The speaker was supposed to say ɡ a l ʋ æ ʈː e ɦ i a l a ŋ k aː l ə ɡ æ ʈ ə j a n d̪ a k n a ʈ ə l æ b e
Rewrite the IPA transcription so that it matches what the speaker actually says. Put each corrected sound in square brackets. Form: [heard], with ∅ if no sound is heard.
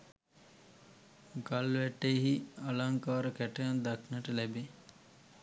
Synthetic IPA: ɡ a l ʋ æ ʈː e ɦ i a l a ŋ k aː [ɾ] ə [k] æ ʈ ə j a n d̪ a k n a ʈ ə l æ b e